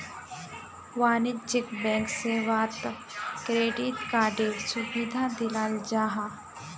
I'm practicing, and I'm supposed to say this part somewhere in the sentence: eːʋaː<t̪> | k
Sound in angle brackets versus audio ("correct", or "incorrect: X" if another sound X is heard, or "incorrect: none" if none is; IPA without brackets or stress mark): correct